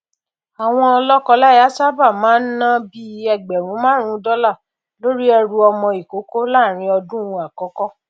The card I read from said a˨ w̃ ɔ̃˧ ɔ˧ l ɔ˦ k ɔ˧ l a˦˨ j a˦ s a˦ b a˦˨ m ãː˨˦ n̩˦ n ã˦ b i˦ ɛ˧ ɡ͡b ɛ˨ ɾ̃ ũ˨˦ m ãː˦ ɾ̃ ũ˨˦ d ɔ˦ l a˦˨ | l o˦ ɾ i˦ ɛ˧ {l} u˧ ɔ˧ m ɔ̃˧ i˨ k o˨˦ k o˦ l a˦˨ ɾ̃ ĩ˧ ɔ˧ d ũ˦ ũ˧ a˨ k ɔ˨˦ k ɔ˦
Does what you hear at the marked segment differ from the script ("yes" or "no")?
yes